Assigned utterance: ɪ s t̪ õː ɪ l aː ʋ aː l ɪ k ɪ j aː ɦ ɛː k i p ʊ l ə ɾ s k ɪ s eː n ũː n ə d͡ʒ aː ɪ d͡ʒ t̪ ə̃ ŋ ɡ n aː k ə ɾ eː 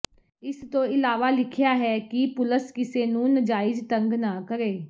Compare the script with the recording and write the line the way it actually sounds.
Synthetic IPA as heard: ɪ s t̪ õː ɪ l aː ʋ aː l ɪ kʰ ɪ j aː ɦ ɛː k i p ʊ l ə s k ɪ s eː n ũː n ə d͡ʒ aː ɪ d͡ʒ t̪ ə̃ ŋ ɡ n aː k ə ɾ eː